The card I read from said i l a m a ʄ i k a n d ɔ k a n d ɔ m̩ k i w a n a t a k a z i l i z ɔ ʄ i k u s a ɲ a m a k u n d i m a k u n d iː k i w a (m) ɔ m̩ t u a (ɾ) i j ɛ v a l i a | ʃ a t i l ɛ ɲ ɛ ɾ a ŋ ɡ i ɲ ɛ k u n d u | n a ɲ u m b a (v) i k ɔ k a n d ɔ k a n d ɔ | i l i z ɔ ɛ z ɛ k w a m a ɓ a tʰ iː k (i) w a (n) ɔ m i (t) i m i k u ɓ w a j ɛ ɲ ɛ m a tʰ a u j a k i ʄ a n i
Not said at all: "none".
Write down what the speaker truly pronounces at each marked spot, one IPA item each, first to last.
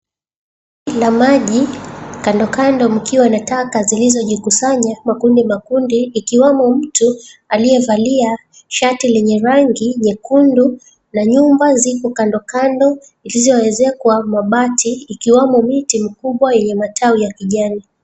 m, l, z, i, m, t

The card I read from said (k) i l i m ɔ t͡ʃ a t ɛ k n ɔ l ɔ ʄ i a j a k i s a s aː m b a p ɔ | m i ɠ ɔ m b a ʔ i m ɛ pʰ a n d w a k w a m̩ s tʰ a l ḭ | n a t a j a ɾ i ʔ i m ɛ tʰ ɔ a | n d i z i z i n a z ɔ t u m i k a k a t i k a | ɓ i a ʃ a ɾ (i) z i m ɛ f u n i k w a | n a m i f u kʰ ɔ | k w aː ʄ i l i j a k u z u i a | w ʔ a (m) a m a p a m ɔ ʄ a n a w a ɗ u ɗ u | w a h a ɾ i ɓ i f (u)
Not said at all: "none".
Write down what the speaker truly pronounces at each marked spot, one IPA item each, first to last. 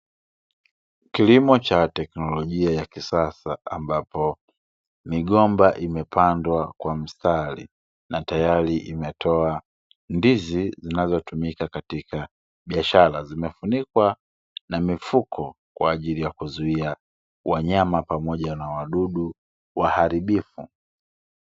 k, a, ɲ, u

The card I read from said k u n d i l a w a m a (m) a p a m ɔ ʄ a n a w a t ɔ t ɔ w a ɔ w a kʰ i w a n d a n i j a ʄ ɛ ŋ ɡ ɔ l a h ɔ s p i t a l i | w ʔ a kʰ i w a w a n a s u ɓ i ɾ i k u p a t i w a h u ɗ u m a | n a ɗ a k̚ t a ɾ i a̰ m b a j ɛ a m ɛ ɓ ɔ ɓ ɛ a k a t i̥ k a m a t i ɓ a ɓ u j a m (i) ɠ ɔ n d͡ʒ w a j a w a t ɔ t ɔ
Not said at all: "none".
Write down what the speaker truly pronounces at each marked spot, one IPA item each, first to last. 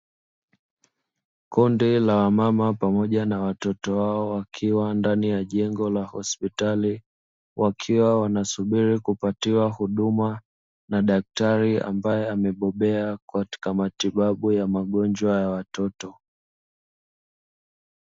m, a

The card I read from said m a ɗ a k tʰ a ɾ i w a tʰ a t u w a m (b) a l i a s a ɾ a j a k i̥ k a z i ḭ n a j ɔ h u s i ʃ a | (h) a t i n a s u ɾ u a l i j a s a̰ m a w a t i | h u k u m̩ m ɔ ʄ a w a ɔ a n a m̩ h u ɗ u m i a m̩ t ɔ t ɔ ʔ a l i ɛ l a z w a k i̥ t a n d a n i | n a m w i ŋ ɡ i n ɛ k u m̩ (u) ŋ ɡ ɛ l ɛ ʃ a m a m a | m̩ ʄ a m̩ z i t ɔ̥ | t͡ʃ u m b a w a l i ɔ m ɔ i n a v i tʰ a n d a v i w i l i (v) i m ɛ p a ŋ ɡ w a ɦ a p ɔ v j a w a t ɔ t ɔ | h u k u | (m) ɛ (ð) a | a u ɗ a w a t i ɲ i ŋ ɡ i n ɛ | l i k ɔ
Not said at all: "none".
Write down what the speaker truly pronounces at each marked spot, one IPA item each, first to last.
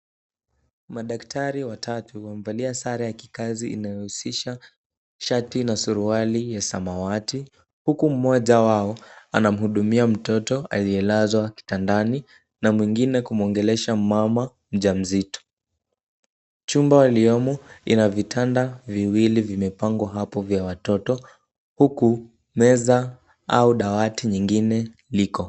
v, ʃ, ɔ, v, m, z

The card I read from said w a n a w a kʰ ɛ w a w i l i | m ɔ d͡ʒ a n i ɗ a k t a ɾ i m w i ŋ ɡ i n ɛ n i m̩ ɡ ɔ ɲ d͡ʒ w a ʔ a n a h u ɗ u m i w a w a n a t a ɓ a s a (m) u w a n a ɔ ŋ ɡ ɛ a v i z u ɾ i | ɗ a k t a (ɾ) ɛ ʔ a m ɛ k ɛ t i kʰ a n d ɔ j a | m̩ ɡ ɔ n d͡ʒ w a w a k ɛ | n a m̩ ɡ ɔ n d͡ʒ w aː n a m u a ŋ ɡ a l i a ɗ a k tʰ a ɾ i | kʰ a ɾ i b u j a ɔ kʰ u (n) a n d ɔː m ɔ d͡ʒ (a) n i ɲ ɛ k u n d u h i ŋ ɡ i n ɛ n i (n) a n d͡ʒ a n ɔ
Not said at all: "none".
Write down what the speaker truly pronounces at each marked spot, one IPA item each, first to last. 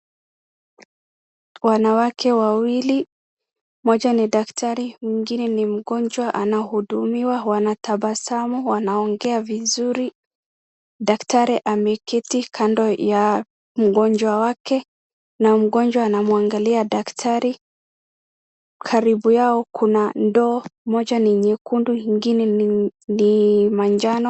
m, ɾ, n, a, m

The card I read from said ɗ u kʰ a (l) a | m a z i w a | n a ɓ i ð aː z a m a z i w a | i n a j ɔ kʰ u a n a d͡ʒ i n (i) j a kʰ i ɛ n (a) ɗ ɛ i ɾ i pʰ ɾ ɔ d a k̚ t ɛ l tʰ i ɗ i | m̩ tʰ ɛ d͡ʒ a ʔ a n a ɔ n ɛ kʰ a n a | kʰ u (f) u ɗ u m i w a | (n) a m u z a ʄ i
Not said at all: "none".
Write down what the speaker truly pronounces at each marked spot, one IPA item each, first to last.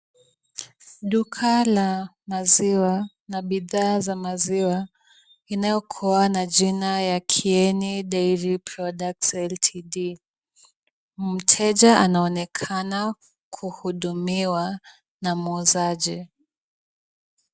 l, a, i, h, n

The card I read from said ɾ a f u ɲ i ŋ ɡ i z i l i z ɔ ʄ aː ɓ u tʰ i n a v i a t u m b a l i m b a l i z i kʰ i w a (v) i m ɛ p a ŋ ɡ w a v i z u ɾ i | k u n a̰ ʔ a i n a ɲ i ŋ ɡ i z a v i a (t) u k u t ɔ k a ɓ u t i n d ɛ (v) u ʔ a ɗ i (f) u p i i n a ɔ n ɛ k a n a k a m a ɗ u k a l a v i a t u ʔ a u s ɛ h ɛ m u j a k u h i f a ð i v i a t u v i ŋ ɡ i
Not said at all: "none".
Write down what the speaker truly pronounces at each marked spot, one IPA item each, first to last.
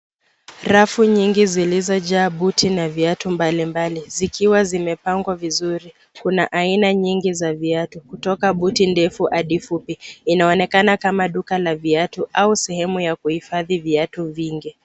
z, t, f, f

